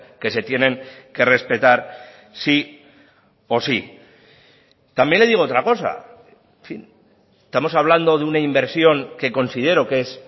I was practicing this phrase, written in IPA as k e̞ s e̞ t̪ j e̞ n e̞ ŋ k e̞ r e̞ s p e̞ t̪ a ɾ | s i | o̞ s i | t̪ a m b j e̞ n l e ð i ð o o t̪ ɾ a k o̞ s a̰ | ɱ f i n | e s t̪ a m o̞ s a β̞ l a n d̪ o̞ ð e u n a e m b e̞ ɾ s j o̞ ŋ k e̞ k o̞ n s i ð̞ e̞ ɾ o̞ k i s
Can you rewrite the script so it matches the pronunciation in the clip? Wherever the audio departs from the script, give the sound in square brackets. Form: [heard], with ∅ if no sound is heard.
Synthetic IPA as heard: k e̞ s e̞ t̪ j e̞ n e̞ ŋ k e̞ r e̞ s p e̞ t̪ a ɾ | s i | o̞ s i | t̪ a m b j e̞ n l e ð i [ɣ] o o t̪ ɾ a k o̞ s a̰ | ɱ f i n | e s t̪ a m o̞ s a β̞ l a n d̪ o̞ ð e u n a [i] m b e̞ ɾ s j o̞ ŋ k e̞ k o̞ n s i ð̞ e̞ ɾ o̞ k [e] s

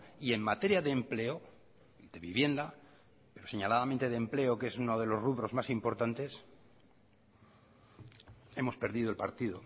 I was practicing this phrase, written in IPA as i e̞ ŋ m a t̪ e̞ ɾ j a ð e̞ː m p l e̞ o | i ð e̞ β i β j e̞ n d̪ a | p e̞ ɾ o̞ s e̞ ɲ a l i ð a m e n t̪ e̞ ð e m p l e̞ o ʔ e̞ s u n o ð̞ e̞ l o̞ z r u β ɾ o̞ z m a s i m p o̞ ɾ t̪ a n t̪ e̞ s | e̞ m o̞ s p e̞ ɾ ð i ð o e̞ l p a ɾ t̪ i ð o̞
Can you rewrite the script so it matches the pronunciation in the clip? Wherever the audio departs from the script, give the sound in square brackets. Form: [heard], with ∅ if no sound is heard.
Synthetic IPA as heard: i e̞ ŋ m a t̪ e̞ ɾ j a ð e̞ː m p l e̞ o | i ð e̞ β i β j e̞ n d̪ a | p e̞ ɾ o̞ s e̞ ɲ a l [a] ð a m e n t̪ e̞ ð e m p l e̞ o [k] e̞ s u n o ð̞ e̞ l o̞ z r u β ɾ o̞ z m a s i m p o̞ ɾ t̪ a n t̪ e̞ s | e̞ m o̞ s p e̞ ɾ ð i ð o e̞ l p a ɾ t̪ i ð o̞

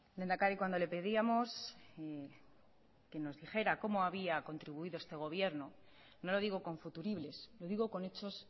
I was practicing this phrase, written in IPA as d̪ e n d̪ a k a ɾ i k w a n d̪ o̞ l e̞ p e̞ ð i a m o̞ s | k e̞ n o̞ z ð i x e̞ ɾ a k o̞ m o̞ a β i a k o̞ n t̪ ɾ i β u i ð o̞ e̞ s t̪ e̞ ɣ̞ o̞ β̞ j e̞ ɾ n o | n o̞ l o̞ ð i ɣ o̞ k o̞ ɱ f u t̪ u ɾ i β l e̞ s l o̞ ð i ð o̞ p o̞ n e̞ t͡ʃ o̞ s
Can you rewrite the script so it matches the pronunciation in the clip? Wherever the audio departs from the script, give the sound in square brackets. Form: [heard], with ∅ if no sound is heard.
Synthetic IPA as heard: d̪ e n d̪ a k a ɾ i k w a n d̪ o̞ l e̞ p e̞ ð i a m o̞ s | k e̞ n o̞ z ð i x e̞ ɾ a k o̞ m o̞ a β i a k o̞ n t̪ ɾ i β u i ð o̞ e̞ s t̪ e̞ ɣ̞ o̞ β̞ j e̞ ɾ n o | n o̞ l o̞ ð i ɣ o̞ k o̞ ɱ f u t̪ u ɾ i β l e̞ s l o̞ ð i [ɣ] o̞ [k] o̞ n e̞ t͡ʃ o̞ s

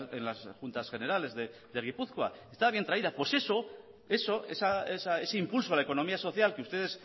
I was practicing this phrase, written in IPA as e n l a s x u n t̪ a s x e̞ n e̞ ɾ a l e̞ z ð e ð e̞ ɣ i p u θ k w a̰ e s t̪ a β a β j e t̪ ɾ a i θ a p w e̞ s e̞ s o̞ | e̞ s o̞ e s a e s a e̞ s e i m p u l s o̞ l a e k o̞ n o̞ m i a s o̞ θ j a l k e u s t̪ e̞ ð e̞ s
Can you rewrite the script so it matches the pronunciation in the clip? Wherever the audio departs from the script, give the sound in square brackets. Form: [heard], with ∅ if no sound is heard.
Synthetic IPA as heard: e n l a s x u n t̪ a s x e̞ n e̞ ɾ a l e̞ z ð e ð e̞ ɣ i p u θ k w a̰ e s t̪ a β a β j e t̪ ɾ a i [ð] a p w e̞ s e̞ s o̞ | e̞ s o̞ e s a e s a e̞ s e i m p u l s o̞ l a e k o̞ n o̞ m i a s o̞ θ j a l k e u s t̪ e̞ ð e̞ s

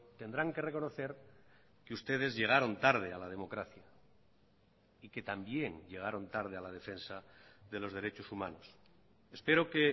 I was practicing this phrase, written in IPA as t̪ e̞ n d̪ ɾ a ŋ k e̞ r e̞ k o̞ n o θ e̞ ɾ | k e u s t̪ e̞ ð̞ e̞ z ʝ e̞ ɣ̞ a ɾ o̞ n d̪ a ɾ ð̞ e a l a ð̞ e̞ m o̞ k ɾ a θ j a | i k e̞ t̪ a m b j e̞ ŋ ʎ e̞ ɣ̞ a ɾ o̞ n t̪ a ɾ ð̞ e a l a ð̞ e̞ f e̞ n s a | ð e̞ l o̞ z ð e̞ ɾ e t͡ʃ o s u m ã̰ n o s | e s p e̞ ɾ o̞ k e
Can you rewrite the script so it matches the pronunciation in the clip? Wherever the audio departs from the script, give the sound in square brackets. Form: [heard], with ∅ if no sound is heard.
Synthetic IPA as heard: t̪ e̞ n d̪ ɾ a ŋ k e̞ r e̞ k o̞ n o θ e̞ ɾ | k e u s t̪ e̞ ð̞ e̞ z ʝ e̞ ɣ̞ a ɾ o̞ n [t̪] a ɾ ð̞ e a l a ð̞ e̞ m o̞ k ɾ a θ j a | i k e̞ t̪ a m b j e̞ ŋ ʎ e̞ ɣ̞ a ɾ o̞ n t̪ a ɾ ð̞ e a l a ð̞ e̞ f e̞ n s a | ð e̞ l o̞ z ð e̞ ɾ e t͡ʃ o s u m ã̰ n o s | e s p e̞ ɾ o̞ k e

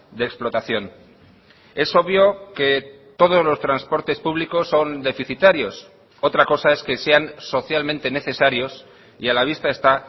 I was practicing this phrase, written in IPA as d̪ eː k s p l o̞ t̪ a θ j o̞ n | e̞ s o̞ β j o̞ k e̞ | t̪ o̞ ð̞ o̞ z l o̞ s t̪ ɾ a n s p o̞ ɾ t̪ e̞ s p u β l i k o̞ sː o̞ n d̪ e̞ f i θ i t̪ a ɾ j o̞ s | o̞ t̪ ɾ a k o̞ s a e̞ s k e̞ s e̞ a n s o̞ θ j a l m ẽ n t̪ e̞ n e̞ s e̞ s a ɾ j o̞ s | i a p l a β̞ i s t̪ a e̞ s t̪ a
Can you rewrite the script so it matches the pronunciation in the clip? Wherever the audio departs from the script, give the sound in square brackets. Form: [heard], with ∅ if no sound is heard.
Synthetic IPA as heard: d̪ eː k s p l o̞ t̪ a θ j o̞ n | e̞ s o̞ β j o̞ k e̞ | t̪ o̞ ð̞ o̞ z l o̞ s t̪ ɾ a n s p o̞ ɾ t̪ e̞ s p u β l i k o̞ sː o̞ n d̪ e̞ f i θ i t̪ a ɾ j o̞ s | o̞ t̪ ɾ a k o̞ s a e̞ s k e̞ s e̞ a n s o̞ θ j a l m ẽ n t̪ e̞ n e̞ [θ] e̞ s a ɾ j o̞ s | i a [∅] l a β̞ i s t̪ a e̞ s t̪ a

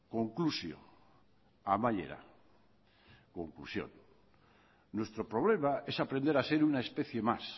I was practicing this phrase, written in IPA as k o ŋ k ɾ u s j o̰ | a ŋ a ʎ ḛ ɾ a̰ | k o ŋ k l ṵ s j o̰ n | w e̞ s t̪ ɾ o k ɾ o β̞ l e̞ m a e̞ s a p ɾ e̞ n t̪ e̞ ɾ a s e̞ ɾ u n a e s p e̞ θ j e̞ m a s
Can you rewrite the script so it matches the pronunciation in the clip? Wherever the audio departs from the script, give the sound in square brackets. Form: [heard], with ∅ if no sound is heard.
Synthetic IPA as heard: k o ŋ k [l] u s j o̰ | a [m] a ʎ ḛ ɾ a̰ | k o ŋ k l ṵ s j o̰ n | w e̞ s t̪ ɾ o [p] ɾ o β̞ l e̞ m a e̞ s a p ɾ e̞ n [d̪] e̞ ɾ a s e̞ ɾ u n a e s p e̞ θ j e̞ m a s

